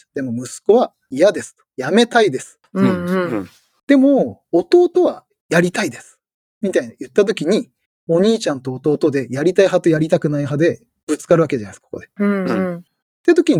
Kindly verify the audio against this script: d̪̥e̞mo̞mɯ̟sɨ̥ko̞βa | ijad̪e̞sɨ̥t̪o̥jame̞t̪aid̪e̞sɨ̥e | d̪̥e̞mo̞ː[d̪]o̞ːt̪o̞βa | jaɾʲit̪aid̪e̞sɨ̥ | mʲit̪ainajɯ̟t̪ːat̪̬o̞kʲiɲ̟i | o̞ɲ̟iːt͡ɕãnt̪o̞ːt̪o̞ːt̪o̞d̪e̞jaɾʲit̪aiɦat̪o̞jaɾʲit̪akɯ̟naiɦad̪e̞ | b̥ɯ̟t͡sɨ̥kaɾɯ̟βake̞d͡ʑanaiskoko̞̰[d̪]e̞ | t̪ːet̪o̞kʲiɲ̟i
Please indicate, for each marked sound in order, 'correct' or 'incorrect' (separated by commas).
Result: incorrect, correct